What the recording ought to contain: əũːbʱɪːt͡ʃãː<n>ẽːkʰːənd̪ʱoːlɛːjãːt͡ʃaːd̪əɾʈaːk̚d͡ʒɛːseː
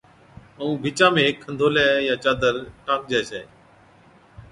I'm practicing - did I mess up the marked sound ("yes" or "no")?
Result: yes